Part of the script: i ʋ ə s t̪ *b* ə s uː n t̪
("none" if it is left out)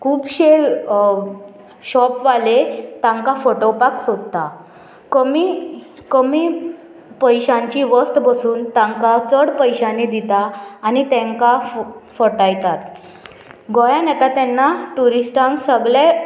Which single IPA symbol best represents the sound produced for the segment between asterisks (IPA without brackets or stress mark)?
b